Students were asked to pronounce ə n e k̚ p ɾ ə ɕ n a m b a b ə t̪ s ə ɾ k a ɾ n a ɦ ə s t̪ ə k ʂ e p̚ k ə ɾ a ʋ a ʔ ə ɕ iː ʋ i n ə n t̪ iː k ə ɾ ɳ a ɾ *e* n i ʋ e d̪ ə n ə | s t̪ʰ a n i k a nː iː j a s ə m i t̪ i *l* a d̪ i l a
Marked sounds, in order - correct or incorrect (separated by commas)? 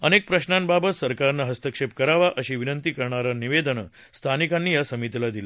incorrect, correct